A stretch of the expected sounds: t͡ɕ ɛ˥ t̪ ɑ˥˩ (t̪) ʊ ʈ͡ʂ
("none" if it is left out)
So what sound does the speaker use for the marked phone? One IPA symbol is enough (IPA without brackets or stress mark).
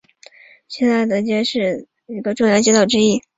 none